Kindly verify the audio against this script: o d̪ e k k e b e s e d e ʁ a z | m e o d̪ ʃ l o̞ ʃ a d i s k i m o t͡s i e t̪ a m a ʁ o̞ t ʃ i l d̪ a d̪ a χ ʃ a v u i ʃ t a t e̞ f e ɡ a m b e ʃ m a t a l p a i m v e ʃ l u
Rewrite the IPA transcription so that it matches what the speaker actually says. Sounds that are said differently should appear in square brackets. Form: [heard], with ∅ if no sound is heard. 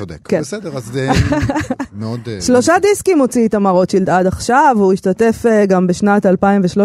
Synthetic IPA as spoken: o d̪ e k k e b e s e d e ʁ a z | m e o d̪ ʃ l o̞ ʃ a d i s k i m o t͡s i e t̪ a m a ʁ o̞ t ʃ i l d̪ a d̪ a χ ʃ a v u i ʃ t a t e̞ f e ɡ a m b e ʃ [n] a t a l p a i m v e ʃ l [o]